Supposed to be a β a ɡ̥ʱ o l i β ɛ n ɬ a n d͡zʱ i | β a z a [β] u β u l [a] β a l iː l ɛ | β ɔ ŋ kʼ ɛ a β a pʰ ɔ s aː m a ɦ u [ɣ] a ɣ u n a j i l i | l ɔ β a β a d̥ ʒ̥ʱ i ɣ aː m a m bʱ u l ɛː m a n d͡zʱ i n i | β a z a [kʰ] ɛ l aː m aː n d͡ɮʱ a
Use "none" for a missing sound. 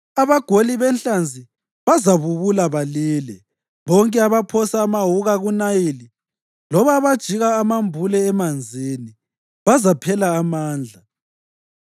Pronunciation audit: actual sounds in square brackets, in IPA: β, a, ɣ, pʰ

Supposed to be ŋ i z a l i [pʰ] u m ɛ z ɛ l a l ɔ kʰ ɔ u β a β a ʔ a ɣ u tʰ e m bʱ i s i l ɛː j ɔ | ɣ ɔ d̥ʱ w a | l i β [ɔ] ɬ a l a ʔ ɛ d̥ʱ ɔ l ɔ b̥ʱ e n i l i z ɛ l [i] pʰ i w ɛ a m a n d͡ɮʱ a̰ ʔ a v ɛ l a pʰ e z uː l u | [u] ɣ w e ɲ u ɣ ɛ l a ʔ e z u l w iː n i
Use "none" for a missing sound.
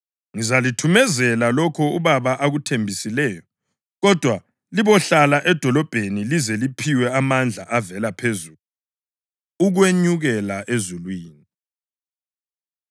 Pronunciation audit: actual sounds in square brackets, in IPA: tʰ, ɔ, i, u

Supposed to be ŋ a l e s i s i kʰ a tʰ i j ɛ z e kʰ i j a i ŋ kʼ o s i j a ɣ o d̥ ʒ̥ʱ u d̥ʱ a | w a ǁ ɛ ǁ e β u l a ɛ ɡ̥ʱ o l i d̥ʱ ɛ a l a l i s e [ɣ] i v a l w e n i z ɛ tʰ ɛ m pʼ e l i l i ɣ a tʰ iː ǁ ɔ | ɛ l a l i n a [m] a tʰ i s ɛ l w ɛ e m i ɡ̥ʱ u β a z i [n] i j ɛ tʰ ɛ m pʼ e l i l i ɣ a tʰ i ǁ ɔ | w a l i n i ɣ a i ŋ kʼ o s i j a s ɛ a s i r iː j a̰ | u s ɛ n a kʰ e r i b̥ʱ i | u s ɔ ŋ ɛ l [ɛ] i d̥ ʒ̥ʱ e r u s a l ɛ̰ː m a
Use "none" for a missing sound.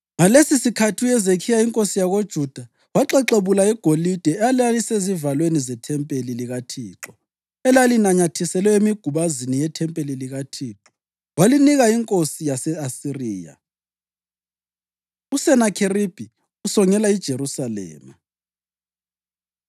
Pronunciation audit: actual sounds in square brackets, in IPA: z, ɲ, n, a

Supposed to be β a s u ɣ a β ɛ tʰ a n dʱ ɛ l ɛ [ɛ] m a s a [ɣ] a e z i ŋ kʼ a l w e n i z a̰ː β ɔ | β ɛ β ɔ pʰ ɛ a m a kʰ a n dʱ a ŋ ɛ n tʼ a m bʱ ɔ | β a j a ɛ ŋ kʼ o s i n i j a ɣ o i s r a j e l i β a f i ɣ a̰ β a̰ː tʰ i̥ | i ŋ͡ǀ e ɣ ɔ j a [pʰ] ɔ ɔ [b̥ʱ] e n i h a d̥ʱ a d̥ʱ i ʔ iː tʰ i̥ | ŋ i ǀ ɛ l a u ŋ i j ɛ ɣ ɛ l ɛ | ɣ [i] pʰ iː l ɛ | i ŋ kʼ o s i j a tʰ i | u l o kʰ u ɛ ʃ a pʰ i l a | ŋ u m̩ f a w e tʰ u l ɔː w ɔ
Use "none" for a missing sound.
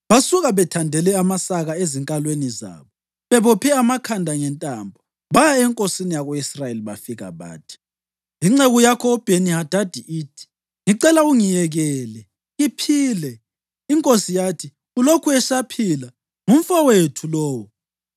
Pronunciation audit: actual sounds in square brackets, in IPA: a, ɣ, kʰ, b̥ʱ, i

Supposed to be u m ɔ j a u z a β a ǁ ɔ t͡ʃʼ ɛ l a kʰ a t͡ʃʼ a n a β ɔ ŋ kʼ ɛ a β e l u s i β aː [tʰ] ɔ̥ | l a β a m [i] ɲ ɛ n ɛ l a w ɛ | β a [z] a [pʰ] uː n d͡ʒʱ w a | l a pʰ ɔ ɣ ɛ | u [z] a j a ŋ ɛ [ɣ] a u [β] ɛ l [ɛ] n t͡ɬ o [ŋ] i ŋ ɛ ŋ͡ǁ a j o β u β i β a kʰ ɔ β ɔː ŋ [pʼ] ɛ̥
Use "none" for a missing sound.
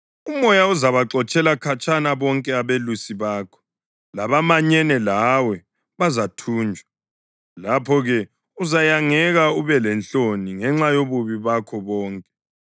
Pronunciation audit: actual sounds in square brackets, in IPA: kʰ, a, z, tʰ, z, ɣ, β, ɛ, n, kʼ

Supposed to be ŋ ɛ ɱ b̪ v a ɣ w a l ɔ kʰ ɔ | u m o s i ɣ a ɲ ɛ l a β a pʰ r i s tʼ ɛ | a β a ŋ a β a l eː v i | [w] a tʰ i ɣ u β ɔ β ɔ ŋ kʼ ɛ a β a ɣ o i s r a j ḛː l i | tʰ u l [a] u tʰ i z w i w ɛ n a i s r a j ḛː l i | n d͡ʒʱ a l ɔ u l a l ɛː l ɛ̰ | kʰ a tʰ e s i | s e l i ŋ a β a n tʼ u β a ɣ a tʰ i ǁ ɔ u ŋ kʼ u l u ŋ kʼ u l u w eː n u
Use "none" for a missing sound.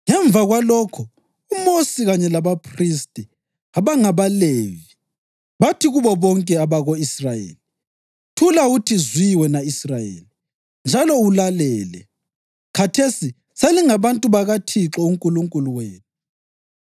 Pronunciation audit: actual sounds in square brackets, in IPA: β, a

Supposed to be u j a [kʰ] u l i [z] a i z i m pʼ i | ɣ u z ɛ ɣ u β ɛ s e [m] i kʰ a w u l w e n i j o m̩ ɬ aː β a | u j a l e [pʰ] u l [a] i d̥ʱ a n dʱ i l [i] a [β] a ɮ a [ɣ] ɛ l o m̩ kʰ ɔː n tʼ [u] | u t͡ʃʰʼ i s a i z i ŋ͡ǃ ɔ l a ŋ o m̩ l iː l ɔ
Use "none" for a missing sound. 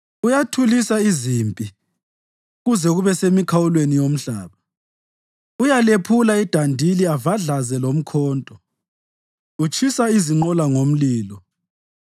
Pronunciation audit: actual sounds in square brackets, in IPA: tʰ, s, m, pʰ, a, i, v, z, ɔ

